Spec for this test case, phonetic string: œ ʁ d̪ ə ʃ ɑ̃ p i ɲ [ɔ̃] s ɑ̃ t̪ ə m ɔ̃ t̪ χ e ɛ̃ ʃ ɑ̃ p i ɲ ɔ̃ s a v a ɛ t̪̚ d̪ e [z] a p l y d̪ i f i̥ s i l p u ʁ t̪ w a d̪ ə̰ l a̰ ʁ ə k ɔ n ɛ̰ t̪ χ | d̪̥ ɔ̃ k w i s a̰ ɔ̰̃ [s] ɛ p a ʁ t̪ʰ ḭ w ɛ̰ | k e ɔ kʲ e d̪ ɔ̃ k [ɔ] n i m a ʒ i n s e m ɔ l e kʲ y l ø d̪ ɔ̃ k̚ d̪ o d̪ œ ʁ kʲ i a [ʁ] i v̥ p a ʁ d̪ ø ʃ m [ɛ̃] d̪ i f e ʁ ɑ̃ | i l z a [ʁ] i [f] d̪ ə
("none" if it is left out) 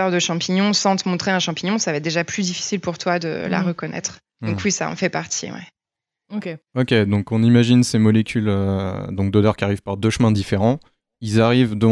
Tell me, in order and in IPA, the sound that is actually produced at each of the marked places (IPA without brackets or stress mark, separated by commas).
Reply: ɔ̃, ʒ, f, ɔ̃, ʁ, ɛ̃, ʁ, v